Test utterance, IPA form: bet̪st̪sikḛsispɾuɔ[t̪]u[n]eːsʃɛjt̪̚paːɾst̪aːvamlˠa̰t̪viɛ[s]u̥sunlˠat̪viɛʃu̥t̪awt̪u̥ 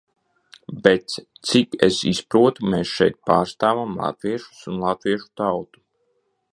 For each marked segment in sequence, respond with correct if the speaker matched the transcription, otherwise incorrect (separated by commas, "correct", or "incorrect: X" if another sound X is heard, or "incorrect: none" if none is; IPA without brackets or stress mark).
correct, incorrect: m, incorrect: ʃ